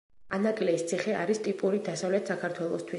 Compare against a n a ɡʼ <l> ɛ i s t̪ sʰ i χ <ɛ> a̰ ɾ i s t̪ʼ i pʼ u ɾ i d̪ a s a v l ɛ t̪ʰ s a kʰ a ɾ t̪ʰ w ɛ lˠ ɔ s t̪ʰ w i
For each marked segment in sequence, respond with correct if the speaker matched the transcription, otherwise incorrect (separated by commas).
correct, correct